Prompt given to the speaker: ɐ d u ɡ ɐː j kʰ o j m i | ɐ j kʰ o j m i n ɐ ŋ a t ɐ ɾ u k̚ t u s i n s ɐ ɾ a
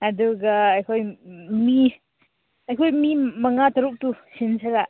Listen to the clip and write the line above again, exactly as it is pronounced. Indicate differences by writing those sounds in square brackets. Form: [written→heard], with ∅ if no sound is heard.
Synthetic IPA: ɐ d u ɡ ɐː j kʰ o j m i | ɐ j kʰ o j m i [n→m] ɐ ŋ a t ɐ ɾ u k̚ t u s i n s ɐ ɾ a